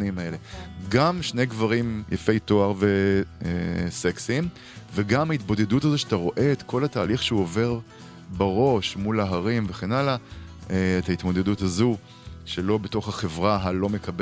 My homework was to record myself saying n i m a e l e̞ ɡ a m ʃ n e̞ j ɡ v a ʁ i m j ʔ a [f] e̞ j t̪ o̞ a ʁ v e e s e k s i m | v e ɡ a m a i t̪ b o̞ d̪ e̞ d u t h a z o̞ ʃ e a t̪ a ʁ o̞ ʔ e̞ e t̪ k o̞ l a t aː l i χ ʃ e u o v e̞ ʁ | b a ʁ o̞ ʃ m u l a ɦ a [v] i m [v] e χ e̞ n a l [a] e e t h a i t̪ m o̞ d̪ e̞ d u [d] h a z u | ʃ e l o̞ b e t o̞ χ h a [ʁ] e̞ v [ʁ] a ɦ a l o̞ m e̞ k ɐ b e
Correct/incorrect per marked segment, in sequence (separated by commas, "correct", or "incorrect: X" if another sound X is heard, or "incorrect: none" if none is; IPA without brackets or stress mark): correct, incorrect: ʁ, correct, correct, incorrect: t, incorrect: χ, correct